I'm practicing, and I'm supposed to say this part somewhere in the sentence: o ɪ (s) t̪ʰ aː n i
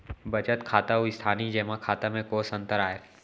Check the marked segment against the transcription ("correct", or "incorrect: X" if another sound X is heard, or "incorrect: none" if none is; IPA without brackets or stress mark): correct